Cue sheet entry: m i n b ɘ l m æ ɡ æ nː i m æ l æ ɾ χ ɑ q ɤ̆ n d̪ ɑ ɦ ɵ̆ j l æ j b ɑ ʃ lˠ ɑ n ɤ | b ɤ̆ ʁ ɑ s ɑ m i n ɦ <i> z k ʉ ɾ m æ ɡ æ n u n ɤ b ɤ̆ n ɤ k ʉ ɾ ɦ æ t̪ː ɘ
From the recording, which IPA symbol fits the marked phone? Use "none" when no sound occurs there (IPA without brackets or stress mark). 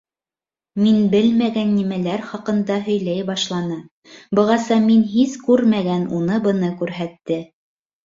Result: i